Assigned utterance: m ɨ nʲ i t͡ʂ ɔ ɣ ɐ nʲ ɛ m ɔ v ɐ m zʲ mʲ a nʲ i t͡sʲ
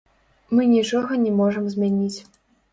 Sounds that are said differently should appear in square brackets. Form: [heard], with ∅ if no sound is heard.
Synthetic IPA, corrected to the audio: m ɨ nʲ i t͡ʂ ɔ ɣ ɐ nʲ ɛ m ɔ [ʐ] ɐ m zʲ mʲ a nʲ i t͡sʲ